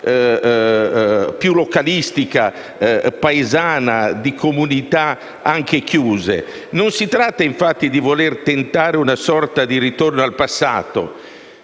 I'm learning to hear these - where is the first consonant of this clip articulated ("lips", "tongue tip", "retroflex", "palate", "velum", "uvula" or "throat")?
lips